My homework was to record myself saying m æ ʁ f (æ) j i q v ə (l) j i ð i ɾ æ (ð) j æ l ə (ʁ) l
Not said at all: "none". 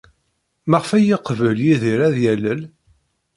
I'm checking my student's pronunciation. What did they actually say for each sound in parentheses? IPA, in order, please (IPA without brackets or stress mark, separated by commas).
æ, l, ð, none